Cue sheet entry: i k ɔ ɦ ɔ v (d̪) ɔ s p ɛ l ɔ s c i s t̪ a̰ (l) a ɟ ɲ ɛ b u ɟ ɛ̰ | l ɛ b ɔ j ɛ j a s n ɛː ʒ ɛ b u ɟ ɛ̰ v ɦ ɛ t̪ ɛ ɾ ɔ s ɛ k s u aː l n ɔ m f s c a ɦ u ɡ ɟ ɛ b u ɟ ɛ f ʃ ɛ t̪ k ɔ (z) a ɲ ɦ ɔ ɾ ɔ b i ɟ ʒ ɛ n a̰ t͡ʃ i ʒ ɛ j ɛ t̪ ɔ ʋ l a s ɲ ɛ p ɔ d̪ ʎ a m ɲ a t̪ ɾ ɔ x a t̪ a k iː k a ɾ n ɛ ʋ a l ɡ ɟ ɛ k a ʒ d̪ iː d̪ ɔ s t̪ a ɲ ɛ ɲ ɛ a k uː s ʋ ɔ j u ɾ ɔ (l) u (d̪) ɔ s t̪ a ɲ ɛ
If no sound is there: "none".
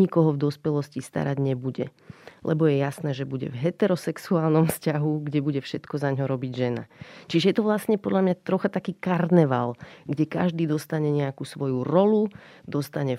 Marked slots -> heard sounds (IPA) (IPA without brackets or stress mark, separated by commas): d̪, ɾ, z, l, d̪